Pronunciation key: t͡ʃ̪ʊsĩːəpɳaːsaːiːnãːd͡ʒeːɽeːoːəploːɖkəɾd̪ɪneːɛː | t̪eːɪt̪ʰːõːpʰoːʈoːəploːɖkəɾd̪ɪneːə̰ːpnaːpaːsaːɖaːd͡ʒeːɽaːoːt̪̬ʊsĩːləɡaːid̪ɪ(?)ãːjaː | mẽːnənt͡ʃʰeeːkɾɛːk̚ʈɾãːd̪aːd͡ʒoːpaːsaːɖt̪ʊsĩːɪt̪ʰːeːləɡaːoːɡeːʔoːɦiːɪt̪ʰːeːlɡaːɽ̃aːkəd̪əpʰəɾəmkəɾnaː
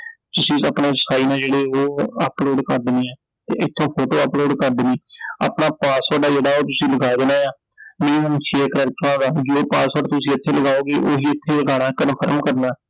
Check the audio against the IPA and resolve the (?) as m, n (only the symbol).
n